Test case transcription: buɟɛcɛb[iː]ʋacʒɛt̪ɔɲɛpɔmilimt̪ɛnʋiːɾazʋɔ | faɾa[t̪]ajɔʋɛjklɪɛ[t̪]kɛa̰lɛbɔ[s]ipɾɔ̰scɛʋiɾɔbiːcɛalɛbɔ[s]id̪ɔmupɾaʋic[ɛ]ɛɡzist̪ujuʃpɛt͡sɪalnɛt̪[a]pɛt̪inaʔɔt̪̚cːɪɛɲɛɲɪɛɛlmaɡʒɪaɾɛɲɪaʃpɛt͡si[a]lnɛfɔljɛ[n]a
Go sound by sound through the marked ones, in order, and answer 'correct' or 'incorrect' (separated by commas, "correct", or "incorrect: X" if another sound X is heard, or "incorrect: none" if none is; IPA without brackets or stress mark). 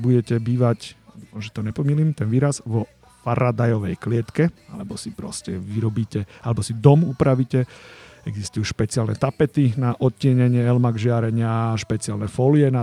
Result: correct, incorrect: d̪, correct, correct, correct, correct, correct, correct, correct